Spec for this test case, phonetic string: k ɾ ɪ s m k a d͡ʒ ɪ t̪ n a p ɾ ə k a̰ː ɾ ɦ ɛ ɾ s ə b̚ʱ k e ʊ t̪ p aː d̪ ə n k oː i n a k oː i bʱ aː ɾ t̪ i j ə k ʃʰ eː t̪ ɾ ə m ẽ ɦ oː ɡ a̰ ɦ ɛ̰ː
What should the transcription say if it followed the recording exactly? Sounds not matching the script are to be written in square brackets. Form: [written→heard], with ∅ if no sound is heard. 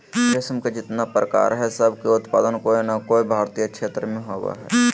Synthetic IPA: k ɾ ɪ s m k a d͡ʒ ɪ t̪ n a p ɾ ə k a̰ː ɾ ɦ ɛ [ɾ→∅] s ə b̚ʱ k e ʊ t̪ p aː d̪ ə n k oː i n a k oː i bʱ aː ɾ t̪ i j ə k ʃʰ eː t̪ ɾ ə m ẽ ɦ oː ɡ a̰ ɦ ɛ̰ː

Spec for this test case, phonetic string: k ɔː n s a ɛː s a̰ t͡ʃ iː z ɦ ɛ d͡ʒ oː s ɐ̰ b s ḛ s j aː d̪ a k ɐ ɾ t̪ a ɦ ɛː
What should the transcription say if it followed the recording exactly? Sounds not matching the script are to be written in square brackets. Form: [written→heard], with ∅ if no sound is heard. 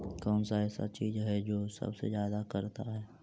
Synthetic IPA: k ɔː n s a ɛː s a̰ t͡ʃ iː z ɦ ɛ d͡ʒ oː s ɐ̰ b s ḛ [s→z] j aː d̪ a k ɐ ɾ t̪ a ɦ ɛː

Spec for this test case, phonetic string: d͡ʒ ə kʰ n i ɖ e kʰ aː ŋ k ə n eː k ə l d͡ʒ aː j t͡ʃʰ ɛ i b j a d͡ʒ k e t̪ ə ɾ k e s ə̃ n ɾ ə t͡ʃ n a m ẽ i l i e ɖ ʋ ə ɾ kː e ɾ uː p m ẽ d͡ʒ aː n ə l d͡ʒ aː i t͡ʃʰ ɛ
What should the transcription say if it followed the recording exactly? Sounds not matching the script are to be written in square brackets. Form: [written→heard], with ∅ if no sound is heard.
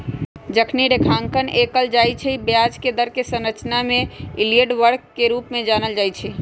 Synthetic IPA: d͡ʒ ə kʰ n i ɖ e kʰ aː ŋ k ə n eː k ə l d͡ʒ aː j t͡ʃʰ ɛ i b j a d͡ʒ k e [t̪→d̪] ə ɾ k e s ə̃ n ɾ ə t͡ʃ n a m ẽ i l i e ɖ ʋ ə ɾ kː e ɾ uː p m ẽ d͡ʒ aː n ə l d͡ʒ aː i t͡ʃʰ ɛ

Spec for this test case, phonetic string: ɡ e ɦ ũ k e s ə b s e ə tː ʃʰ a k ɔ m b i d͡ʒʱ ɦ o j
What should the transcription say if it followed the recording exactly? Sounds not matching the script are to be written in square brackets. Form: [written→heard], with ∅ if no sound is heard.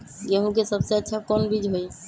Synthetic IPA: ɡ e ɦ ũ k e s ə b s e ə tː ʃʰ a k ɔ [m→n] b i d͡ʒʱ ɦ o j

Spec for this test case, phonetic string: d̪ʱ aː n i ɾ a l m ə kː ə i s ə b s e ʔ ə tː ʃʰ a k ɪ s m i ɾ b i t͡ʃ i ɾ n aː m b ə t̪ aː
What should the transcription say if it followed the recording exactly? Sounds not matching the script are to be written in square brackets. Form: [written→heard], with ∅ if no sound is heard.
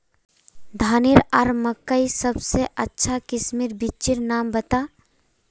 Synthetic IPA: d̪ʱ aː n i ɾ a [l→ɾ] m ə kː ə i s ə b s e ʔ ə tː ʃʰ a k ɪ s m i ɾ b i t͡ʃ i ɾ n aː m b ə t̪ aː

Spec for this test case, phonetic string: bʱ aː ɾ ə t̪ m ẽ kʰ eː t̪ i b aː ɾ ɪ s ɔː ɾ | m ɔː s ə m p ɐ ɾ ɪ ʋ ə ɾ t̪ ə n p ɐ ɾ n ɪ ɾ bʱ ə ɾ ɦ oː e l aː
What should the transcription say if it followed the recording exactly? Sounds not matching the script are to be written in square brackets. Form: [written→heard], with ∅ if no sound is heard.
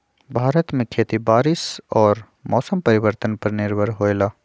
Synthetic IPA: bʱ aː ɾ ə t̪ m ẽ kʰ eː t̪ i b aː ɾ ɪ s ɔː ɾ | m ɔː s ə m p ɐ ɾ ɪ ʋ ə ɾ t̪ ə n p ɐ ɾ n ɪ ɾ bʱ ə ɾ ɦ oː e l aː

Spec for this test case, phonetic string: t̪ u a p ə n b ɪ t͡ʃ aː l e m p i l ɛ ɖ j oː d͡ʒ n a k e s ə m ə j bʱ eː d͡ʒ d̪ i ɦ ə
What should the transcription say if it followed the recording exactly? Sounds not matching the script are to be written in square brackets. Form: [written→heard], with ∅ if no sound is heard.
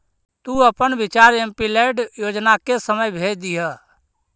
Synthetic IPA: t̪ u [a→ə] p ə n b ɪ t͡ʃ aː [l→ɾ] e m p i l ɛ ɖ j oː d͡ʒ n a k e s ə m ə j bʱ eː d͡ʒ d̪ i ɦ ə

